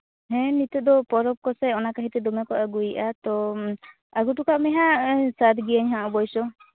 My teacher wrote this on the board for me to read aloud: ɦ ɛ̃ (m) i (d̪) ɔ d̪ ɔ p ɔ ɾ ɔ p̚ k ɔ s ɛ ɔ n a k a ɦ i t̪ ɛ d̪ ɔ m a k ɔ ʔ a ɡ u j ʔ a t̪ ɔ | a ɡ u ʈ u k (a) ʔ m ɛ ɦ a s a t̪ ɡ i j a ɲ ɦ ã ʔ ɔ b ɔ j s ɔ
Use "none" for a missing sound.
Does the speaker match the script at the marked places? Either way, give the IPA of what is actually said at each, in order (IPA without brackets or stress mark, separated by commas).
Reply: n, t̪, a